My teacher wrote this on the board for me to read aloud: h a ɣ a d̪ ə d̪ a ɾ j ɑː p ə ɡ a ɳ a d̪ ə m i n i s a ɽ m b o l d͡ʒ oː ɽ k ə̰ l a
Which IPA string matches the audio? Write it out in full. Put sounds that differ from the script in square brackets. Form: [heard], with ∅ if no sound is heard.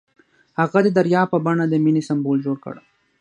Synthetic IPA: h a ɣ a d̪ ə d̪ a ɾ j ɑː p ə [b] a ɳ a d̪ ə m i n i s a [∅] m b o l d͡ʒ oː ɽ k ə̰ [ɽ] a

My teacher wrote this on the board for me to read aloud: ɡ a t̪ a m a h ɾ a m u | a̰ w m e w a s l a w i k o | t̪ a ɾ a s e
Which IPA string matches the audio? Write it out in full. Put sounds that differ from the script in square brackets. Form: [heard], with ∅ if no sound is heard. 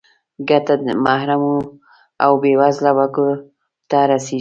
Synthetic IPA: ɡ a t̪ a m a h ɾ a m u | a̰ w [b] e w a [z] l a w [a] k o | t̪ a ɾ a s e

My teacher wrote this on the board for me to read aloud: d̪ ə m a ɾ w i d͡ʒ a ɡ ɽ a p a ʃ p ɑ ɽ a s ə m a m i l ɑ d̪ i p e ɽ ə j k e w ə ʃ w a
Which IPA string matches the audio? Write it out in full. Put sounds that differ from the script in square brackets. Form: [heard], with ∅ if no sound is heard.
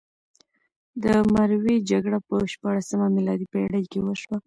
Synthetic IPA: d̪ ə m a ɾ w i d͡ʒ a ɡ ɽ a p [ə] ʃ p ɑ ɽ a s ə m a m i l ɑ d̪ i p e ɽ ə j k e w ə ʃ w a

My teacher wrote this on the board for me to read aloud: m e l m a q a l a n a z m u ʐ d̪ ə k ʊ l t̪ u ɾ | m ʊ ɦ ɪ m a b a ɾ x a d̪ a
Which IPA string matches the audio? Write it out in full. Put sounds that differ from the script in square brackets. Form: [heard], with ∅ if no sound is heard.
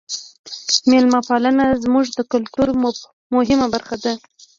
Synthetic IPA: m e l m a [p] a l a n a z m u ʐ d̪ ə k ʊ l t̪ u ɾ | m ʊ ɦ ɪ m a b a ɾ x a d̪ a

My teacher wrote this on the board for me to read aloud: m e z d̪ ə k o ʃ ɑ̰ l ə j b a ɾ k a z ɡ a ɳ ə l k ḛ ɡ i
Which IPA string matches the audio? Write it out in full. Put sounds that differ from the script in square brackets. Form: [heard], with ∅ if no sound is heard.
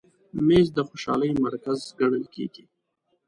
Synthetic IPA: m e z d̪ ə [x] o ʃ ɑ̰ l ə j [m] a ɾ k a z ɡ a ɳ ə l k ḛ ɡ i

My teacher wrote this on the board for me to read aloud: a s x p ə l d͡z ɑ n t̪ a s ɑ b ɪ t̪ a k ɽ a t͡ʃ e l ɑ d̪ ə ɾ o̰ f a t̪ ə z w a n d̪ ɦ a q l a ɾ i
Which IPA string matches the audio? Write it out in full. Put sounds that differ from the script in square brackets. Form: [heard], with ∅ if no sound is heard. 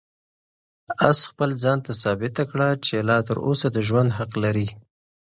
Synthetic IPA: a s x p ə l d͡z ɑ n t̪ a s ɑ b ɪ t̪ a k ɽ a t͡ʃ e l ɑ [t̪] ə ɾ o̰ [s] a [d̪] ə [ʒ] w a n d̪ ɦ a q l a ɾ i

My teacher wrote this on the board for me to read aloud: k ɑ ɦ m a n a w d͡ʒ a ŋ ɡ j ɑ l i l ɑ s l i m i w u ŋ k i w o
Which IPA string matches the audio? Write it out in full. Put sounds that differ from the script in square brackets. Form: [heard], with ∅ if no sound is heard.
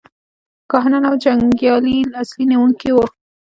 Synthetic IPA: k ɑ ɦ [n] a n a w d͡ʒ a ŋ ɡ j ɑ l i l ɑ s l i [n] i w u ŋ k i w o

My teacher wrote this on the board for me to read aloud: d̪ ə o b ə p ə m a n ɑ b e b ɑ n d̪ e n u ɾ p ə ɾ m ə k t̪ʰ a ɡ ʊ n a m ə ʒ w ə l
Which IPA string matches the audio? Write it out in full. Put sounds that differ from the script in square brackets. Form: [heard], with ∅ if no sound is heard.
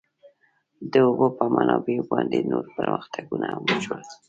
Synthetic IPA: d̪ ə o b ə p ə m a n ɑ b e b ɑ n d̪ e n [o] ɾ p ə ɾ m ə [x] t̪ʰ a ɡ [u] n a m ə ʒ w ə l

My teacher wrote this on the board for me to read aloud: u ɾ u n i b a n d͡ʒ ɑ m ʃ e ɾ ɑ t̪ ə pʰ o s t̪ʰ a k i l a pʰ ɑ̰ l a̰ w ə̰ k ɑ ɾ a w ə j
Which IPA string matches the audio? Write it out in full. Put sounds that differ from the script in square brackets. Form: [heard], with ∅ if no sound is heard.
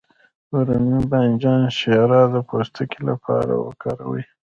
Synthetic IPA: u ɾ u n i b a n d͡ʒ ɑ [n] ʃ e ɾ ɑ [d̪] ə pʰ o s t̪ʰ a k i l a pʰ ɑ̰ [ɾ] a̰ w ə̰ k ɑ ɾ a w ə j

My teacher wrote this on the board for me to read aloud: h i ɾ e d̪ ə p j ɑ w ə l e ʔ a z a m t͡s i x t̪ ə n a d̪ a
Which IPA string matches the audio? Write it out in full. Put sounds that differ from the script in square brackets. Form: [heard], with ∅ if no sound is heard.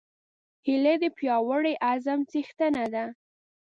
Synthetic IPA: h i [l] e d̪ ə p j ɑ w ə [ɽ] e ʔ a z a m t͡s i x t̪ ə n a d̪ a

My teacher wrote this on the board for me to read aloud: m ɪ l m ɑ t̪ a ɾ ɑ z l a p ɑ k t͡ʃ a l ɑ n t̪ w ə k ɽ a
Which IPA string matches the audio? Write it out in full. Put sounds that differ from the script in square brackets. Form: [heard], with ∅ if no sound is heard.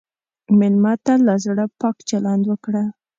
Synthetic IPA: m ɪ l m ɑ t̪ a [l] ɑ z [ɽ] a p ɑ k t͡ʃ a l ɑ n [d̪] w ə k ɽ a

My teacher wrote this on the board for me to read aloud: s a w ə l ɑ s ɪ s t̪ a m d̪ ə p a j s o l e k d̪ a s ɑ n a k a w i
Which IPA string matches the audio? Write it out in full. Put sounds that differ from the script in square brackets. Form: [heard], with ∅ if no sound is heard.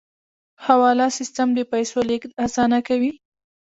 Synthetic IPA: [h] a w [ɑ] l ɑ s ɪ s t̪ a m d̪ ə p a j s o l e k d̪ a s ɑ n a k a w i

